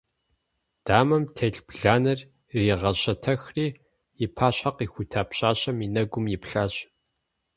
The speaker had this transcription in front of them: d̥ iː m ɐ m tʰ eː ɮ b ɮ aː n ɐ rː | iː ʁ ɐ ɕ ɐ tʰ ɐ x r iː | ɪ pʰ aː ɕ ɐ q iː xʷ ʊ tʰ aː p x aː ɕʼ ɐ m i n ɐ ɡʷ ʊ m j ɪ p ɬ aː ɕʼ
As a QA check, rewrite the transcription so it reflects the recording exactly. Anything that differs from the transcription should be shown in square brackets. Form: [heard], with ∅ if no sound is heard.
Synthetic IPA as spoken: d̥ [aː] m ɐ m tʰ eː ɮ b ɮ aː n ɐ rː | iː ʁ ɐ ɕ ɐ tʰ ɐ x r iː | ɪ pʰ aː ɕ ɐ q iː xʷ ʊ tʰ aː p [ɕ] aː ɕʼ ɐ m i n ɐ ɡʷ ʊ m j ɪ p ɬ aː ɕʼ